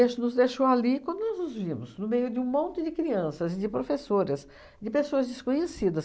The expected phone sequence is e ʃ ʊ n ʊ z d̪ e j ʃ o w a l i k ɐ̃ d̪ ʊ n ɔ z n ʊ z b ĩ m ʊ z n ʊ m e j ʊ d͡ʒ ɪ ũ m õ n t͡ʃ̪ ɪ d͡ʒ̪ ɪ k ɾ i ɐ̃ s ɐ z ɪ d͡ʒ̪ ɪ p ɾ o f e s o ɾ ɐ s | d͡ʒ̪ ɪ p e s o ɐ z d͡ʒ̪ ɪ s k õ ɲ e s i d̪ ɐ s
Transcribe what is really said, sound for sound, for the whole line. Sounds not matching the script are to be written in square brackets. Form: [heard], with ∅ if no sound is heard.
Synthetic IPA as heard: e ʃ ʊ n ʊ z d̪ e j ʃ o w a l i k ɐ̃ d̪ ʊ n ɔ z n ʊ z [v] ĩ m ʊ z n ʊ m e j ʊ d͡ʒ ɪ ũ m õ n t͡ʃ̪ ɪ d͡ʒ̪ ɪ k ɾ i ɐ̃ s ɐ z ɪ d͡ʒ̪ ɪ p ɾ o f e s o ɾ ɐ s | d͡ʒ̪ ɪ p e s o ɐ z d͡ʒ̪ ɪ s k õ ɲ e s i d̪ ɐ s